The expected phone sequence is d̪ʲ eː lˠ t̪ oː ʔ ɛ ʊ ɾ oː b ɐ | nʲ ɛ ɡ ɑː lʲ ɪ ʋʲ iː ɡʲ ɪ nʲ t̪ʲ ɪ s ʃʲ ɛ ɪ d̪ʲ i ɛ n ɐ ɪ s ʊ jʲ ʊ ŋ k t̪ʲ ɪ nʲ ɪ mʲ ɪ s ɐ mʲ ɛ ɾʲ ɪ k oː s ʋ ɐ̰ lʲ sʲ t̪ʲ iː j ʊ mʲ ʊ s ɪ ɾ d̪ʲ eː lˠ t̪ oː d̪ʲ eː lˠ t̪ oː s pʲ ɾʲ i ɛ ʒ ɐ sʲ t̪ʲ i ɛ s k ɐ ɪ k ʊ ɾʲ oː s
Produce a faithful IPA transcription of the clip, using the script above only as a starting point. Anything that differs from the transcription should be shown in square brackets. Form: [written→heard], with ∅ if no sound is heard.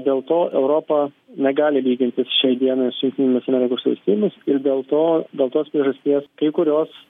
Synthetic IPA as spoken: d̪ʲ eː lˠ t̪ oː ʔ ɛ ʊ ɾ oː [b→p] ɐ | nʲ ɛ ɡ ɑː lʲ ɪ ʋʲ iː ɡʲ ɪ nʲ t̪ʲ ɪ s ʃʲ ɛ ɪ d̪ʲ i ɛ n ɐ ɪ s ʊ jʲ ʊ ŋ k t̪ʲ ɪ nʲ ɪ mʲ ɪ s ɐ mʲ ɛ ɾʲ ɪ k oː s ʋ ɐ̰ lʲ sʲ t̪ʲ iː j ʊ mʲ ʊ s ɪ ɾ d̪ʲ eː lˠ t̪ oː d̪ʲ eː lˠ t̪ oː s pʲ ɾʲ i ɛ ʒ ɐ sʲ t̪ʲ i ɛ s k ɐ ɪ k ʊ ɾʲ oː s